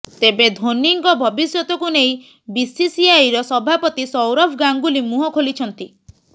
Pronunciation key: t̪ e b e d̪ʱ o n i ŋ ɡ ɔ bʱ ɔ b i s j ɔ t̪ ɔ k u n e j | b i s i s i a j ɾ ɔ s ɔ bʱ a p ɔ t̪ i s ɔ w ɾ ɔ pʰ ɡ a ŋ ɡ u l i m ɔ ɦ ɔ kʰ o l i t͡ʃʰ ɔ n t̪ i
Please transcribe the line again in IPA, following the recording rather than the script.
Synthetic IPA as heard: t̪ e b e d̪ʱ o n i ŋ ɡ ɔ bʱ ɔ b i s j ɔ t̪ ɔ k u n e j | b i s i s i a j ɾ ɔ s ɔ bʱ a p ɔ t̪ i s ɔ w ɾ ɔ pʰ ɡ a ŋ ɡ u l i m u ɦ ɔ kʰ o l i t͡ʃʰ ɔ n t̪ i